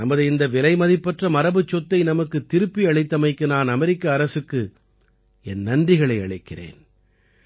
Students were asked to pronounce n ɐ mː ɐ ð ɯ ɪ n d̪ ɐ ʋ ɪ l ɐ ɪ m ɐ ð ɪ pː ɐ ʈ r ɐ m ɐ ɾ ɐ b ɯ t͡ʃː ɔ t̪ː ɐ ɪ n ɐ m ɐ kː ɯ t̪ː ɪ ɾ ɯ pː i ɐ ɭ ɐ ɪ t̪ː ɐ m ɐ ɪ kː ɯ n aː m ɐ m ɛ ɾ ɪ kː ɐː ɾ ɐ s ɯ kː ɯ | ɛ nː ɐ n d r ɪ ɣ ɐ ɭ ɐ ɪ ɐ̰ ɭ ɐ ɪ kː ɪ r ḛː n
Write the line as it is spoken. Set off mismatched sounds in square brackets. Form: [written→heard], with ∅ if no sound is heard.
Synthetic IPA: n ɐ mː ɐ ð ɯ ɪ n d̪ ɐ ʋ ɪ l ɐ ɪ m ɐ ð ɪ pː ɐ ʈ r ɐ m ɐ ɾ ɐ b ɯ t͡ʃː ɔ t̪ː ɐ ɪ n ɐ m ɐ kː ɯ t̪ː ɪ ɾ ɯ pː i ɐ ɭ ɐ ɪ t̪ː ɐ m ɐ ɪ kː ɯ n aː [m→n] ɐ m ɛ ɾ ɪ kː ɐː ɾ ɐ s ɯ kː ɯ | ɛ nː ɐ n d r ɪ ɣ ɐ ɭ ɐ ɪ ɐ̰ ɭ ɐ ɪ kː ɪ r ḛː n